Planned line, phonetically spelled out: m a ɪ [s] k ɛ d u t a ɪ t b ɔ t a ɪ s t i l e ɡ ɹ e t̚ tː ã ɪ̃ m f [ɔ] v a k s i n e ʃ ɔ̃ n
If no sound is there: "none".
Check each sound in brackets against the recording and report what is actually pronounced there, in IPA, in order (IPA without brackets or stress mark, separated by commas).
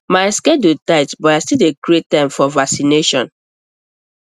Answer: s, ɔ